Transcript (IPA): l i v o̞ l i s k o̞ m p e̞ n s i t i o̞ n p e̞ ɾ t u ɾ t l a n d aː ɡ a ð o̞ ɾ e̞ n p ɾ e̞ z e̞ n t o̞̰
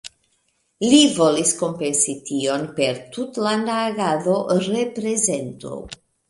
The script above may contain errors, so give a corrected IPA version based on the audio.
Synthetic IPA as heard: l i v o̞ l i s k o̞ m p e̞ n s i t i o̞ n p e̞ ɾ t u t l a n d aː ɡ a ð o̞ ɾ e̞ p ɾ e̞ z e̞ n t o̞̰